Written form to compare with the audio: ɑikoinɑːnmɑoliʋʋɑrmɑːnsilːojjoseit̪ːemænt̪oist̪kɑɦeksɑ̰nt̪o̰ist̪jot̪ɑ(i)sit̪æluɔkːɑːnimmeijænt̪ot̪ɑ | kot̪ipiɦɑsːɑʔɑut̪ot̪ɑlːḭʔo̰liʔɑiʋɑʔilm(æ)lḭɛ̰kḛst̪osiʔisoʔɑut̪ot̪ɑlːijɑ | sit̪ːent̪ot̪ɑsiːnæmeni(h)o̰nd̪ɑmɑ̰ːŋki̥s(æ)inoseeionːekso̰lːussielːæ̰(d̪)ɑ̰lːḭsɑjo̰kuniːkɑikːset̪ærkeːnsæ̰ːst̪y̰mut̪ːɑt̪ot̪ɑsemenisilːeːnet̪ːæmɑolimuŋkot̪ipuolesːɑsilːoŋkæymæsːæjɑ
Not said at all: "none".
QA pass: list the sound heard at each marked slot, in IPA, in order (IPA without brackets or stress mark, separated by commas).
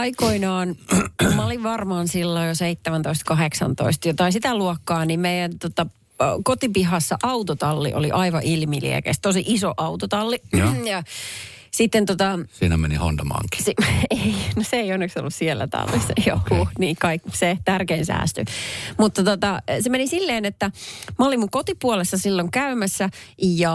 i, i, h, e, t̪